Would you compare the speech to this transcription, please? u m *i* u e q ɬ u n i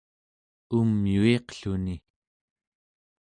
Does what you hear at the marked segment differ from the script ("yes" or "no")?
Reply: yes